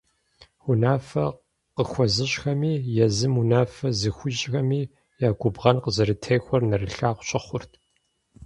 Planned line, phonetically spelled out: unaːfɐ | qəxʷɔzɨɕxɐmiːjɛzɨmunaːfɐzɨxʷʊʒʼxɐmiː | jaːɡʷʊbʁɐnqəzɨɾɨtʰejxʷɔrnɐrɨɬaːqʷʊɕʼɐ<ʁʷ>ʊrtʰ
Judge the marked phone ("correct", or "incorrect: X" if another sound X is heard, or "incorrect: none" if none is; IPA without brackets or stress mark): incorrect: χʷ